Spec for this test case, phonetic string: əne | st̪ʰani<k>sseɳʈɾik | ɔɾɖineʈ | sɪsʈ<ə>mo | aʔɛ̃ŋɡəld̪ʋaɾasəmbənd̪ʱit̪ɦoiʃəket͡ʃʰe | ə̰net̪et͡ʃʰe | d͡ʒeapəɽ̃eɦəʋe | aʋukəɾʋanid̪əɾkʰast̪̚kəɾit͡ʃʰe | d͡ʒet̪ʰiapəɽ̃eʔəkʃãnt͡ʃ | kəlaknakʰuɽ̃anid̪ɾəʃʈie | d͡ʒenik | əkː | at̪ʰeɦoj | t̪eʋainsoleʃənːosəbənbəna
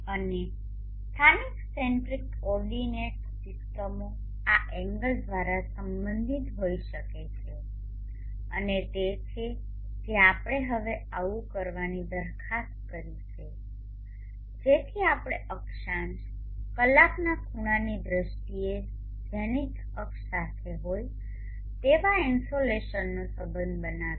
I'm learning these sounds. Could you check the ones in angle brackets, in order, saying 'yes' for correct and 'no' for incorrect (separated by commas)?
yes, yes